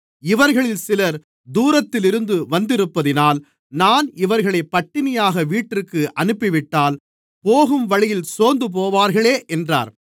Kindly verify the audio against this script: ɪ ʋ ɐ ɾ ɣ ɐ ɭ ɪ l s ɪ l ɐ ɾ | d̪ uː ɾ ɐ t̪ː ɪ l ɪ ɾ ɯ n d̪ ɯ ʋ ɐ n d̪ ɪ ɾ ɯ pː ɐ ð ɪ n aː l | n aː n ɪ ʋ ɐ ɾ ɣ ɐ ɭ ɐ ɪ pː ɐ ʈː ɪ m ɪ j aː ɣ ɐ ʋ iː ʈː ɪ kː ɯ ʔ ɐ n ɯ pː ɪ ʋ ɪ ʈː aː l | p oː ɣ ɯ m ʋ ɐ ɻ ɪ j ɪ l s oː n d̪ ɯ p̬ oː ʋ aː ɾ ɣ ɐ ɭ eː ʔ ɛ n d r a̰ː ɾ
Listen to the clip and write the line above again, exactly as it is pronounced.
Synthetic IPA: ɪ ʋ ɐ ɾ ɣ ɐ ɭ ɪ l s ɪ l ɐ ɾ | d̪ uː ɾ ɐ t̪ː ɪ l ɪ ɾ ɯ n d̪ ɯ ʋ ɐ n d̪ ɪ ɾ ɯ pː ɐ ð ɪ n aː l | n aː n ɪ ʋ ɐ ɾ ɣ ɐ ɭ ɐ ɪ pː ɐ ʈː ɪ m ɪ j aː ɣ ɐ ʋ iː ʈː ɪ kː ɯ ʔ ɐ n ɯ pː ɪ ʋ ɪ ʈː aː l | p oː ɣ ɯ m ʋ ɐ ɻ ɪ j ɪ l s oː n d̪ ɯ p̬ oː ʋ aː ɾ ɣ ɐ ɭ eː ʔ ɛ n d r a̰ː ɾ

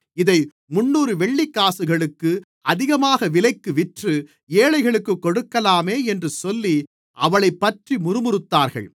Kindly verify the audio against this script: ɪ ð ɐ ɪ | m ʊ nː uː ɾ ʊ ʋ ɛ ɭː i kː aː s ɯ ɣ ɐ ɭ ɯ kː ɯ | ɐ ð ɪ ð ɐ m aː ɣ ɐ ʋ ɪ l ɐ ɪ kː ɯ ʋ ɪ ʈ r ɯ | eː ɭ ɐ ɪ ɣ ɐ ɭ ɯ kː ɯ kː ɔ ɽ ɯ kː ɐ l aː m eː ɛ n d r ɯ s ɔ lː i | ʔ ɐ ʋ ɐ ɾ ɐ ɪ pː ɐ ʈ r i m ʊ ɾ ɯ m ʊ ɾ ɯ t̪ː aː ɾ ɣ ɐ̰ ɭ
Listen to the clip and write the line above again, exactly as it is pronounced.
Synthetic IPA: ɪ ð ɐ ɪ | m ʊ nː uː ɾ ɯ ʋ ɛ ɭː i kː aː s ɯ ɣ ɐ ɭ ɯ kː ɯ | ɐ ð ɪ ɣ ɐ m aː ɣ ɐ ʋ ɪ l ɐ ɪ kː ɯ ʋ ɪ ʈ r ɯ | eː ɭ ɐ ɪ ɣ ɐ ɭ ɯ kː ɯ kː ɔ ɽ ɯ kː ɐ l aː m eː ɛ n d r ɯ s ɔ lː i | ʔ ɐ ʋ ɐ ɭ ɐ ɪ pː ɐ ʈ r i m ʊ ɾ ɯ m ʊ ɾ ɯ t̪ː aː ɾ ɣ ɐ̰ ɭ

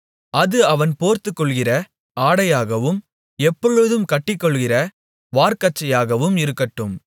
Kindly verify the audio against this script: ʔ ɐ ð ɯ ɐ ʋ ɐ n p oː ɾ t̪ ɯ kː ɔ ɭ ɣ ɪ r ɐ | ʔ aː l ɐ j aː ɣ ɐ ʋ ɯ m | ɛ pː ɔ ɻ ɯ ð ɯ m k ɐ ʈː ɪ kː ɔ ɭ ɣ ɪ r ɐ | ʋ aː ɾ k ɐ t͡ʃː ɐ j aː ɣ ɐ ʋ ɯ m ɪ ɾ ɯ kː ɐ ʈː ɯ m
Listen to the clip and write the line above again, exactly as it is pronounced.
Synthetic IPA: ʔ ɐ ð ɯ ɐ ʋ ɐ n p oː ɾ t̪ ɯ kː ɔ ɭ ɣ ɪ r ɐ | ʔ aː ɽ ɐ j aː ɣ ɐ ʋ ɯ m | ɛ pː ɔ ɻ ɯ ð ɯ m k ɐ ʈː ɪ kː ɔ ɭ ɣ ɪ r ɐ | ʋ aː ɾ k ɐ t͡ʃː ɐ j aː ɣ ɐ ʋ ɯ m ɪ ɾ ɯ kː ɐ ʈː ɯ m

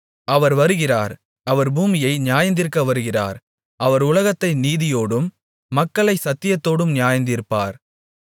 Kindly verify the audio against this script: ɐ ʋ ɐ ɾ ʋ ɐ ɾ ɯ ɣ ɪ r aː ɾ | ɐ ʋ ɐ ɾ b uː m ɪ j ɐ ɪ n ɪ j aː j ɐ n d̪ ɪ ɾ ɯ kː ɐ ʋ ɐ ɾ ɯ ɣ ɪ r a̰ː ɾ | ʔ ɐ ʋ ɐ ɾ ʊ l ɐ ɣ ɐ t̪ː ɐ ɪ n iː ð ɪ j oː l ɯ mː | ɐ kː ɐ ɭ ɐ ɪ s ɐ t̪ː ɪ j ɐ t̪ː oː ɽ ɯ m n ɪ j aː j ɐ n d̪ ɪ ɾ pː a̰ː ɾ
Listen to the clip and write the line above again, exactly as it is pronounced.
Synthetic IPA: ɐ ʋ ɐ ɾ ʋ ɐ ɾ ɯ ɣ ɪ r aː ɾ | ɐ ʋ ɐ ɾ b uː m ɪ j ɐ ɪ n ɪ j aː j ɐ n d̪ ɪ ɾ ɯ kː ɐ ʋ ɐ ɾ ɯ ɣ ɪ r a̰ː ɾ | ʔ ɐ ʋ ɐ ɾ ʊ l ɐ ɣ ɐ t̪ː ɐ ɪ n iː ð ɪ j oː ɽ ɯ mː | ɐ kː ɐ ɭ ɐ ɪ s ɐ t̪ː ɪ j ɐ t̪ː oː ɽ ɯ m n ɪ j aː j ɐ n d̪ ɪ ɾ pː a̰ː ɾ

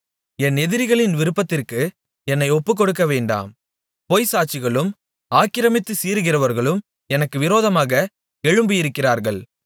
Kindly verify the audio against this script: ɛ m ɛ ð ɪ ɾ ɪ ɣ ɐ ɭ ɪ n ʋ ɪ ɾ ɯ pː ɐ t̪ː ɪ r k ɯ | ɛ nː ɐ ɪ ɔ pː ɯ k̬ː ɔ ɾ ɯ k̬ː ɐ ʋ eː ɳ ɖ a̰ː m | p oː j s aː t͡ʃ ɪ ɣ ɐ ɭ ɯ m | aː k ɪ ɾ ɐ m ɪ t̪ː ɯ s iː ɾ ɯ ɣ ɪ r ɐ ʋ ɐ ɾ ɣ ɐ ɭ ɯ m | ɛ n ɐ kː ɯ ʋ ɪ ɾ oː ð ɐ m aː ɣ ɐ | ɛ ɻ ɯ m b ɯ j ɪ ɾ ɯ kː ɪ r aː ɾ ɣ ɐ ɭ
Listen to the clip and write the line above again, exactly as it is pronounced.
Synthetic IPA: ɛ n ɛ ð ɪ ɾ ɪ ɣ ɐ ɭ ɪ n ʋ ɪ ɾ ɯ pː ɐ t̪ː ɪ r k ɯ | ɛ nː ɐ ɪ ɔ pː ɯ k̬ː ɔ ɽ ɯ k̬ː ɐ ʋ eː ɳ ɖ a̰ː m | p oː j s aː t͡ʃ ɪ ɣ ɐ ɭ ɯ m | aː k ɪ ɾ ɐ m ɪ t̪ː ɯ s iː ɾ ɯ ɣ ɪ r ɐ ʋ ɐ ɾ ɣ ɐ ɭ ɯ m | ɛ n ɐ kː ɯ ʋ ɪ ɾ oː ð ɐ m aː ɣ ɐ | ɛ ɻ ɯ m b ɯ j ɪ ɾ ɯ kː ɪ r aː ɾ ɣ ɐ ɭ

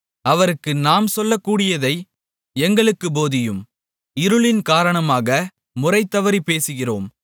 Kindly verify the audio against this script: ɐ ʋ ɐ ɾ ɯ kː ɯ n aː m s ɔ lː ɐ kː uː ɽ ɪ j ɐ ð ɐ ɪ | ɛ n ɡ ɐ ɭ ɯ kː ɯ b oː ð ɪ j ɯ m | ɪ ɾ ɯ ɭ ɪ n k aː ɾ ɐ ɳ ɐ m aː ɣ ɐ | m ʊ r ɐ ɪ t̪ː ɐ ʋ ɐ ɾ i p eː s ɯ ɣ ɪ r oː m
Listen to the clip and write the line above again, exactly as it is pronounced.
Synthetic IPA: ɐ ʋ ɐ ɾ ɯ kː ɯ n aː m s ɔ lː ɐ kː uː ɽ ɪ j ɐ ð ɐ ɪ | ɛ ŋ ɡ ɐ ɭ ɯ kː ɯ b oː ð ɪ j ɯ m | ɪ ɾ ɯ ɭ ɪ n k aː ɾ ɐ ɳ ɐ m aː ɣ ɐ | m ʊ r ɐ ɪ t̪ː ɐ ʋ ɐ ɾ i p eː s ɯ ɣ ɪ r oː m

